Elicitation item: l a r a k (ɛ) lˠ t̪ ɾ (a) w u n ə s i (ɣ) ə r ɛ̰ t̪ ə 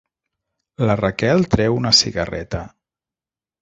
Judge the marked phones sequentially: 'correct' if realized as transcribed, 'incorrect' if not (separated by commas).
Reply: correct, incorrect, correct